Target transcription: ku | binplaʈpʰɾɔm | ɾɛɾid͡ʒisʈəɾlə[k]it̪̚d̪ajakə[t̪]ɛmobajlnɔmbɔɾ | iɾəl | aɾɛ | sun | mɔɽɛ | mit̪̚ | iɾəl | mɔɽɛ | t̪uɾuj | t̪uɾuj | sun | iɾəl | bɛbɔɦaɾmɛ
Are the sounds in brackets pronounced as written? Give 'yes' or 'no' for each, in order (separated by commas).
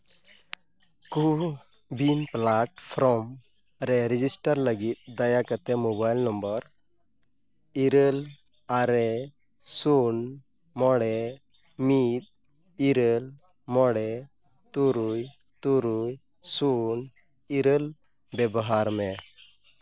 no, yes